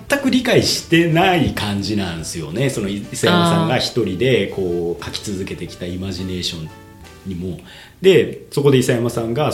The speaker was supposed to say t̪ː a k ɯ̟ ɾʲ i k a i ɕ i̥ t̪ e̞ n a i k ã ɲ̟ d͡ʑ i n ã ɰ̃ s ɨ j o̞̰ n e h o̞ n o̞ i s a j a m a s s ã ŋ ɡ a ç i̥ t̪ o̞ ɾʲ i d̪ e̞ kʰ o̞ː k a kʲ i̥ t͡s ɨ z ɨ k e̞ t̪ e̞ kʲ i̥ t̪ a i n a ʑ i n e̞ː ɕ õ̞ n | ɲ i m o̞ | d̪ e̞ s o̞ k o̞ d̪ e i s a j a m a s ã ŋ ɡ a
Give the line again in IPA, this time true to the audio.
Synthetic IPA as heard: t̪ː a k ɯ̟ ɾʲ i k a i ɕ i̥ t̪ e̞ n a i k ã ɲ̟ d͡ʑ i n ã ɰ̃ s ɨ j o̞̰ n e s o̞ n o̞ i s a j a m a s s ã ŋ ɡ a ç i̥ t̪ o̞ ɾʲ i d̪ e̞ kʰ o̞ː k a kʲ i̥ t͡s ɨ z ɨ k e̞ t̪ e̞ kʲ i̥ t̪ a i m a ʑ i n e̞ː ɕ õ̞ n | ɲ i m o̞ | d̪ e̞ s o̞ k o̞ d̪ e i s a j a m a s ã ŋ ɡ a